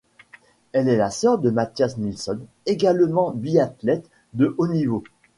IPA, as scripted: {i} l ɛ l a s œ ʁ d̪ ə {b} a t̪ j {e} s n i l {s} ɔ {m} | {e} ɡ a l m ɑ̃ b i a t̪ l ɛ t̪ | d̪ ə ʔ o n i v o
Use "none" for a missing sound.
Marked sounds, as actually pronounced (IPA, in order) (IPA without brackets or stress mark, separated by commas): ɛ, m, a, s, n, e